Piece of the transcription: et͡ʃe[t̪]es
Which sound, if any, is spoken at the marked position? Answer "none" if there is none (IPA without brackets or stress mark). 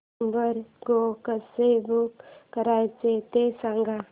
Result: t̪